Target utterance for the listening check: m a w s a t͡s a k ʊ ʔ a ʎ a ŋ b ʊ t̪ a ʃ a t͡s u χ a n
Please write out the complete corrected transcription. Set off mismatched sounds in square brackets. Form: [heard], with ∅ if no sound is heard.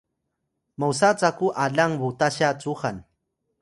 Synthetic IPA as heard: m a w s a t͡s a k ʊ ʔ a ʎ a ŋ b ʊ t̪ a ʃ a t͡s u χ a n